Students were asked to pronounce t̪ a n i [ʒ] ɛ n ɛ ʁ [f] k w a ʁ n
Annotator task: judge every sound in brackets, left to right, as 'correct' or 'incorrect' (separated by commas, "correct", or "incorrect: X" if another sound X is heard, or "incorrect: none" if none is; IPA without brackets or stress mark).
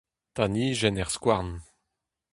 correct, incorrect: s